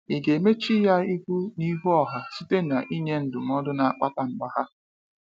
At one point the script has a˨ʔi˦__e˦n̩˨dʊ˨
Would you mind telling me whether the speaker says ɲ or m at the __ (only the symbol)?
ɲ